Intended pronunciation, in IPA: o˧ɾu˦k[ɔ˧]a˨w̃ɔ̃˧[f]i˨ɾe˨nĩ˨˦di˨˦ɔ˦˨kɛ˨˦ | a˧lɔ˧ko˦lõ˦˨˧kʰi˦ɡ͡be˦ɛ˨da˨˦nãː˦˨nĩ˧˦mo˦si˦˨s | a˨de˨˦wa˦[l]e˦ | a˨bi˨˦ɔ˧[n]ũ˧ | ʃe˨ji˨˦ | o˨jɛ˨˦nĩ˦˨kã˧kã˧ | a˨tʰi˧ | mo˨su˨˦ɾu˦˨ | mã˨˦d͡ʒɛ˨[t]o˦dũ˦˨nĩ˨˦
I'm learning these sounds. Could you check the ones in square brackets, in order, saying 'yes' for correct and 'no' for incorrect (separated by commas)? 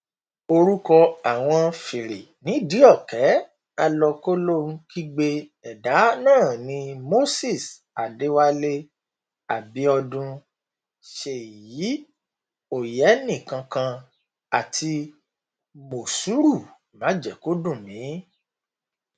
yes, yes, yes, no, no